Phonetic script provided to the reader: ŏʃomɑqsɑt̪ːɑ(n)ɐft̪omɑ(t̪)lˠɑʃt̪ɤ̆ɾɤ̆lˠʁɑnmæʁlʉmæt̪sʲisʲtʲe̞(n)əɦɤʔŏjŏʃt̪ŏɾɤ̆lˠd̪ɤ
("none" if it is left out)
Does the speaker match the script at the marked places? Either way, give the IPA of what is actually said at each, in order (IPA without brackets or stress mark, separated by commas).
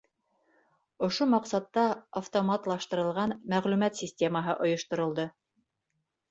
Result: none, t̪, m